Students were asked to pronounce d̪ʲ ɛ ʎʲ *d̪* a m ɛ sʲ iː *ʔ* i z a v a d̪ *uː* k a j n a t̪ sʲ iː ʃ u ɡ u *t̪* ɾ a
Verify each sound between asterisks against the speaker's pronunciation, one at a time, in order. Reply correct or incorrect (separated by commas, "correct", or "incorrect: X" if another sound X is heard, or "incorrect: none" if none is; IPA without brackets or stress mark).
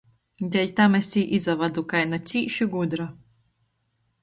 incorrect: t̪, correct, incorrect: u, incorrect: d̪